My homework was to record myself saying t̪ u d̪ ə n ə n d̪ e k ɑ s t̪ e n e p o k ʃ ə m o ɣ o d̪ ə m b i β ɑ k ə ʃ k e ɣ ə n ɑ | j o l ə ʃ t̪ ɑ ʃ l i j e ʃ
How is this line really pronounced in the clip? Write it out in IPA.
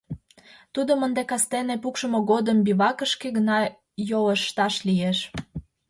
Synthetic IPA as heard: t̪ u d̪ ə m ə n d̪ e k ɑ s t̪ e n e p u k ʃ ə m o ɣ o d̪ ə m b i β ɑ k ə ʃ k e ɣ ə n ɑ | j o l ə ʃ t̪ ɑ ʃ l i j e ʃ